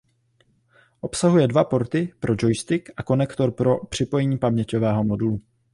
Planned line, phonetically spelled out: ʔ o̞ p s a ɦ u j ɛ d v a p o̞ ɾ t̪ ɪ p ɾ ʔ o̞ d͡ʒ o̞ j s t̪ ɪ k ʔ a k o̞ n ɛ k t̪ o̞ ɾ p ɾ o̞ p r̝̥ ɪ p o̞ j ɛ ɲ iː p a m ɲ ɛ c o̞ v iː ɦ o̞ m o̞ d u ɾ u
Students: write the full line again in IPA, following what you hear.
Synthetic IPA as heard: ʔ o̞ p s a ɦ u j ɛ d v a p o̞ ɾ t̪ ɪ p ɾ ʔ o̞ d͡ʒ o̞ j s t̪ ɪ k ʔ a k o̞ n ɛ k t̪ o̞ ɾ p ɾ o̞ p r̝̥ ɪ p o̞ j ɛ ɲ iː p a m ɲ ɛ c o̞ v ɛː ɦ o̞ m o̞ d u l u